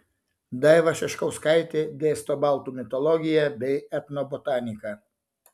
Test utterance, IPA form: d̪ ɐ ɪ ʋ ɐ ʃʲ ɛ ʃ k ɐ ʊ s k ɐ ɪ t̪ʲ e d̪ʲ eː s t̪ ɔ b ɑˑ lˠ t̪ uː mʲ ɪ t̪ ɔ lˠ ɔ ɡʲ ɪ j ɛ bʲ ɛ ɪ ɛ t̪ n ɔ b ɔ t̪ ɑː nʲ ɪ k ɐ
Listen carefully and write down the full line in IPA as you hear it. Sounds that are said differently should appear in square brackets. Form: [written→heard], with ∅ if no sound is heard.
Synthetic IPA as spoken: d̪ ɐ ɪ ʋ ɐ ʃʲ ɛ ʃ k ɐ ʊ s k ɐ ɪ t̪ʲ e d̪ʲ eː s t̪ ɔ b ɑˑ lˠ t̪ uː mʲ ɪ t̪ ɔ lˠ ɔ ɡʲ ɪ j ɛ bʲ ɛ ɪ ɛ t̪ n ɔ b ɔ t̪ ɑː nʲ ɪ k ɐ